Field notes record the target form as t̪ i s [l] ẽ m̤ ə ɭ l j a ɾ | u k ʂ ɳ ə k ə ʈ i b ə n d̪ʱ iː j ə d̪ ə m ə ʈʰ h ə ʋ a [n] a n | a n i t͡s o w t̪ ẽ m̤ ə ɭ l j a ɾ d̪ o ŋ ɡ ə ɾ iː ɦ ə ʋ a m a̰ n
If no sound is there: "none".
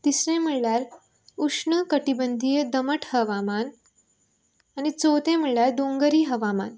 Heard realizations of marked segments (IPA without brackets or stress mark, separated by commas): ɾ, m